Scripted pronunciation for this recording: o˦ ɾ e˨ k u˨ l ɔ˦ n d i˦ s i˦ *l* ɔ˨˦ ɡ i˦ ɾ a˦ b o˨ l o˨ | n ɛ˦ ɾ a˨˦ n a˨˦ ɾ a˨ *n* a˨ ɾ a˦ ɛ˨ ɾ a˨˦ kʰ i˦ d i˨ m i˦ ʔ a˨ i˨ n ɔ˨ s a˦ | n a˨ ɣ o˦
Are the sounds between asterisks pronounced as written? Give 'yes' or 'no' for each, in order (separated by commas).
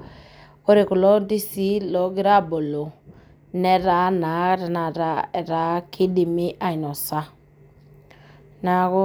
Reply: yes, yes